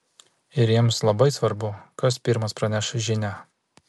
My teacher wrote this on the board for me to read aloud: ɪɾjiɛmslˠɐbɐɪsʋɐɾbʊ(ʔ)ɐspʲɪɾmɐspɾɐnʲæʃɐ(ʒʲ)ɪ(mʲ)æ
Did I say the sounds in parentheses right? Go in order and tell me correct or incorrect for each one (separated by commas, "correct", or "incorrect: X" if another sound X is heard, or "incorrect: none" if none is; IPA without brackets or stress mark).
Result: incorrect: k, correct, incorrect: nʲ